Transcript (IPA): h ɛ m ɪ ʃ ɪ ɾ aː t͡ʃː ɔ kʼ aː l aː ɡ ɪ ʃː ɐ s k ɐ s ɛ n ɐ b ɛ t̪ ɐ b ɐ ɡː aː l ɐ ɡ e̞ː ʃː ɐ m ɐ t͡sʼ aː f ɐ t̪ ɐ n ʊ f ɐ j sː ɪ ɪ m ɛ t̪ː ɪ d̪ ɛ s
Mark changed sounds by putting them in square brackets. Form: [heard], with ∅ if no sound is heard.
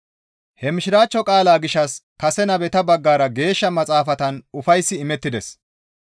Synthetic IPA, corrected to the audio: h ɛ m ɪ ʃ ɪ ɾ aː t͡ʃː ɔ kʼ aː l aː ɡ ɪ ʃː ɐ s k ɐ s ɛ n ɐ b ɛ t̪ ɐ b ɐ ɡː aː [ɾ] ɐ ɡ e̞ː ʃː ɐ m ɐ t͡sʼ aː f ɐ t̪ ɐ n ʊ f ɐ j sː ɪ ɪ m ɛ t̪ː ɪ d̪ ɛ s